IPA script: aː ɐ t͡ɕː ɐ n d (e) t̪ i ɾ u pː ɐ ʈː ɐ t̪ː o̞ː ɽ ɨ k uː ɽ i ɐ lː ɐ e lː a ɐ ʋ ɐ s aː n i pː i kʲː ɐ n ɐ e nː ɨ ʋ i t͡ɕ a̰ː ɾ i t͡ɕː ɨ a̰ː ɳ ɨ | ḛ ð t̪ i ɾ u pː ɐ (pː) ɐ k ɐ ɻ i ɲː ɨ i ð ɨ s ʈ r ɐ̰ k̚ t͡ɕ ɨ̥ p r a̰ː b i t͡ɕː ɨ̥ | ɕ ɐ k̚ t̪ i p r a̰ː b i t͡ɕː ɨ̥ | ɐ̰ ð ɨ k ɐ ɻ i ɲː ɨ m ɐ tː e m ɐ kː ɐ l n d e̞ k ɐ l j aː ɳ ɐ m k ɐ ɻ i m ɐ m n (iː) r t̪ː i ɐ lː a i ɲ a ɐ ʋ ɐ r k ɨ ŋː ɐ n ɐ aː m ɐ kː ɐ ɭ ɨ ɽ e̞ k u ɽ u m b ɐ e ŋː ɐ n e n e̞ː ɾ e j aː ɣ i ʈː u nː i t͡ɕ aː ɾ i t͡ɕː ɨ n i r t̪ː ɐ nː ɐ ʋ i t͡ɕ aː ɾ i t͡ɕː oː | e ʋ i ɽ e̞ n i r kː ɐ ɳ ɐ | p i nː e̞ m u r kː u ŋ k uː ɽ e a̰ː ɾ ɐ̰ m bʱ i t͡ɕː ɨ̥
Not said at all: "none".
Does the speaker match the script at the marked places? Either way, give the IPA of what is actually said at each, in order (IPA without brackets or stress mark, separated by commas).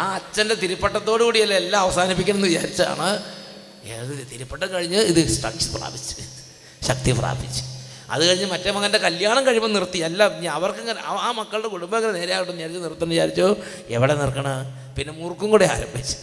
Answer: e, ʈː, i